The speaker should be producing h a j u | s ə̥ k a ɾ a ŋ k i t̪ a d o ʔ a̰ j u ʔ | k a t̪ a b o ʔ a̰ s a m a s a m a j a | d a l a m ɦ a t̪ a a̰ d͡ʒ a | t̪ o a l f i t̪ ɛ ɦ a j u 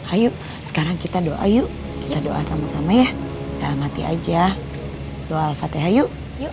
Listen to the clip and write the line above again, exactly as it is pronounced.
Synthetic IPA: h a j u | s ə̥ k a ɾ a ŋ k i t̪ a d o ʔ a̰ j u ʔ | k i t̪ a d o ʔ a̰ s a m a s a m a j a | d a l a m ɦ a t̪ i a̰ d͡ʒ a | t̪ o a l f a t̪ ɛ ɦ a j u